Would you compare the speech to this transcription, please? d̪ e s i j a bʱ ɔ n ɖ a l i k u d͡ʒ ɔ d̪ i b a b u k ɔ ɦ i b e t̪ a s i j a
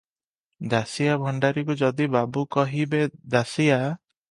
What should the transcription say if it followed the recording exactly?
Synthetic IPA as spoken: d̪ a s i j a bʱ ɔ ɳ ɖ a ɾ i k u d͡ʒ ɔ d̪ i b a b u k ɔ ɦ i b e d̪ a s i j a